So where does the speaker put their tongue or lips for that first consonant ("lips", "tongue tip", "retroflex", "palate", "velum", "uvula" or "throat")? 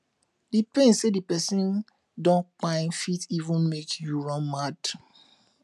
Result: tongue tip